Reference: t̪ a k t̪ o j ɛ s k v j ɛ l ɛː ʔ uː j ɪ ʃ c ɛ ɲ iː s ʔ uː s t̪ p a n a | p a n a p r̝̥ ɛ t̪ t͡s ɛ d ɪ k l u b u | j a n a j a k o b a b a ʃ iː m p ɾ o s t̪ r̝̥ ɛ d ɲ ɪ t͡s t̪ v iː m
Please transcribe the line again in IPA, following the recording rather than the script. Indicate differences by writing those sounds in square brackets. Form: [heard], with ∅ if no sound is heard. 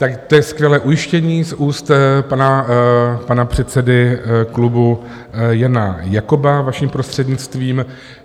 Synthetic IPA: t̪ a k t̪ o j ɛ s k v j ɛ l ɛː ʔ [u] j ɪ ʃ c ɛ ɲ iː s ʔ uː s t̪ p a n a | p a n a p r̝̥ ɛ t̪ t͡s ɛ d ɪ k l u b u | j a n a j a k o b a [v] a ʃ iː m p ɾ o s t̪ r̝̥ ɛ d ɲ ɪ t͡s t̪ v iː m